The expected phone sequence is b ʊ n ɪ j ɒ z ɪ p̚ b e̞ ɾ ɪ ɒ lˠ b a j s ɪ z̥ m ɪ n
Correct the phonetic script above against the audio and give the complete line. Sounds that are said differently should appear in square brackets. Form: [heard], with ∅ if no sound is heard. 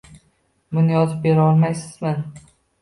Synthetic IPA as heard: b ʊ n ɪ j ɒ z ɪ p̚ b e̞ ɾ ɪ ɒ lˠ [m] a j s ɪ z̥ m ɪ n